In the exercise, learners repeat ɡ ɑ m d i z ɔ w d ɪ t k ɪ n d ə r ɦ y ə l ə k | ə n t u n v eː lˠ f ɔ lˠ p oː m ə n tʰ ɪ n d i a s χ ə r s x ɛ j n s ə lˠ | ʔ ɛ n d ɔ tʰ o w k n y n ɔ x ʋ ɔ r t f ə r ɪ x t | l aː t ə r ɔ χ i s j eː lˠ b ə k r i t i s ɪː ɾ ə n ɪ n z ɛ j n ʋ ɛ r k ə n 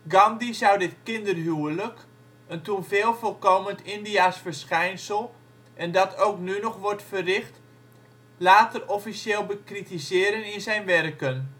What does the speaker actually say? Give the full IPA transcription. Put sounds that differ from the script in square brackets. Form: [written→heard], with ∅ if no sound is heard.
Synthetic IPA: ɡ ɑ m d i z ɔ w d ɪ t k ɪ n d ə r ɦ y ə l ə k | ə n t u n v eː lˠ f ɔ lˠ [p→k] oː m ə n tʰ ɪ n d i a s [χ→f] ə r s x ɛ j n s ə lˠ | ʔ ɛ n d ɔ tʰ o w k n y n ɔ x ʋ ɔ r t f ə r ɪ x t | l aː t ə r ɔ [χ→f] i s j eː lˠ b ə k r i t i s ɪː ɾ ə n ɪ n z ɛ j n ʋ ɛ r k ə n

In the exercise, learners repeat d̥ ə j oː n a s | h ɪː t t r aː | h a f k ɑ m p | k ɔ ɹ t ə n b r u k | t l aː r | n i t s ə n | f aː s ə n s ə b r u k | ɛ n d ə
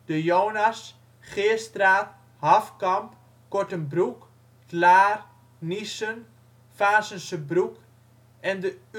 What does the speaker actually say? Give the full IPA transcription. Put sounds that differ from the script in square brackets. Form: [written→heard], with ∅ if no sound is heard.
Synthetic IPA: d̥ ə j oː n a s | [h→χ] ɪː [t→s] t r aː | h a f k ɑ m p | k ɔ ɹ t ə n b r u k | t l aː r | n i [t→∅] s ə n | f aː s ə n s ə b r u k | ɛ n d ə

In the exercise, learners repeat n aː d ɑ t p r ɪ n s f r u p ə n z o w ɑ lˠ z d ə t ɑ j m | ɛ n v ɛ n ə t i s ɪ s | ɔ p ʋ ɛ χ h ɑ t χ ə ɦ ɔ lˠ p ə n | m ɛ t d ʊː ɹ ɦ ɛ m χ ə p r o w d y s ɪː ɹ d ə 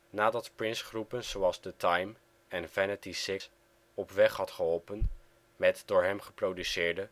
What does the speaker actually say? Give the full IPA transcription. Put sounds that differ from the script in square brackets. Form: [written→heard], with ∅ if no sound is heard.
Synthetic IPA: n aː d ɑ t p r ɪ n s [f→χ] r u p ə n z o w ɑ lˠ z d ə t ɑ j m | ɛ n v ɛ n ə t i s ɪ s | ɔ p ʋ ɛ χ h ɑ t χ ə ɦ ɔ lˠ p ə n | m ɛ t d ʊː ɹ ɦ ɛ m χ ə p r o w d y s ɪː ɹ d ə

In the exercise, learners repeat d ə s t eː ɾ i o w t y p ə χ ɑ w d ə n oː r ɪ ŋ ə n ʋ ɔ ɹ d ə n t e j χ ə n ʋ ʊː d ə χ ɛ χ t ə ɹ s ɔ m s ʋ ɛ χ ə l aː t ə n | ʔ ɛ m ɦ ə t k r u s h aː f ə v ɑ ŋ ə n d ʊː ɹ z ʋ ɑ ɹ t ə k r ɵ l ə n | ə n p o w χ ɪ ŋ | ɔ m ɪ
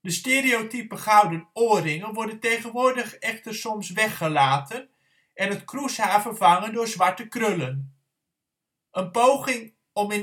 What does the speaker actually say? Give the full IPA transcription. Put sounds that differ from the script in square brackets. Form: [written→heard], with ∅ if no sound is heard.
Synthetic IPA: d ə s t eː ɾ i o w t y p ə χ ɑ w d ə n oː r ɪ ŋ ə n ʋ ɔ ɹ d ə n t e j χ ə n ʋ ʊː d ə χ ɛ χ t ə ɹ s ɔ m s ʋ ɛ χ ə l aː t ə n | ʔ ɛ [m→n] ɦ ə t k r u s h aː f ə v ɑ ŋ ə n d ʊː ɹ z ʋ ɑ ɹ t ə k r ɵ l ə n | ə n p o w χ ɪ ŋ | ɔ m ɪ

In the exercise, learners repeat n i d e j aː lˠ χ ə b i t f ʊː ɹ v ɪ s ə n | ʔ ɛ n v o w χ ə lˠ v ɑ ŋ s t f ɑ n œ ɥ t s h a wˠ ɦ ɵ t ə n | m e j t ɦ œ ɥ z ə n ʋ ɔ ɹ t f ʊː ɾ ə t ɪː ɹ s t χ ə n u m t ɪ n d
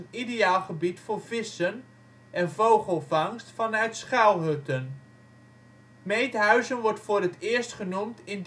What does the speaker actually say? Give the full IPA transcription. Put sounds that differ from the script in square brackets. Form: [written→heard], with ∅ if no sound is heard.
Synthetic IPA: n i d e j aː lˠ χ ə b i t f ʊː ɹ v ɪ s ə n | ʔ ɛ n v o w χ ə lˠ v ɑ ŋ s t f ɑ n œ ɥ t s [h→χ] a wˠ ɦ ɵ t ə n | m e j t ɦ œ ɥ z ə n ʋ ɔ ɹ t f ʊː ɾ ə t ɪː ɹ s t χ ə n u m t ɪ n d

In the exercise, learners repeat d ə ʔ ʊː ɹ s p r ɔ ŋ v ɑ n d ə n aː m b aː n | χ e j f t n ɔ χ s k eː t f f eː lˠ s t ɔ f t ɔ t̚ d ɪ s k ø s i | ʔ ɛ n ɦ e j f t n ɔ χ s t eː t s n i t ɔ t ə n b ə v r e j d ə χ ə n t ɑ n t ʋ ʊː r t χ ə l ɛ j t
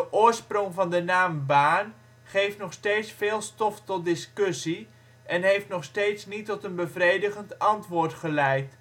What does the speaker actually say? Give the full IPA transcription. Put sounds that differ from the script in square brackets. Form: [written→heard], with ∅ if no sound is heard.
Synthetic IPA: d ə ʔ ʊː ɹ s p r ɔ ŋ v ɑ n d ə n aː m b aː n | χ e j f t n ɔ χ s [k→t] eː t [f→s] f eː lˠ s t ɔ f t ɔ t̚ d ɪ s k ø s i | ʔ ɛ n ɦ e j f t n ɔ χ s t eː t s n i t ɔ t ə n b ə v r e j d ə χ ə n t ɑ n t ʋ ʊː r t χ ə l ɛ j t

